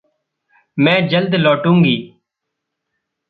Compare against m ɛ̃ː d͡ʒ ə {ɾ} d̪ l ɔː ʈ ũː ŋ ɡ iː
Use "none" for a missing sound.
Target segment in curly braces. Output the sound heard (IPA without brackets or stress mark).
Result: l